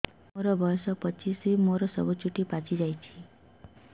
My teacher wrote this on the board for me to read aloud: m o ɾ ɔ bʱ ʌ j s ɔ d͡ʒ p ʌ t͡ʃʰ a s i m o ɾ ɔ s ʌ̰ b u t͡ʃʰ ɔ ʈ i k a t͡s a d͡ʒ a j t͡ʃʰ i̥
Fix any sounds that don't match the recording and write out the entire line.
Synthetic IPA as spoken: m o ɾ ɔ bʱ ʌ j s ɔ p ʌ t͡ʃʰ i s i m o ɾ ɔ s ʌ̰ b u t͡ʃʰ u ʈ i p a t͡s i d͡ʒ a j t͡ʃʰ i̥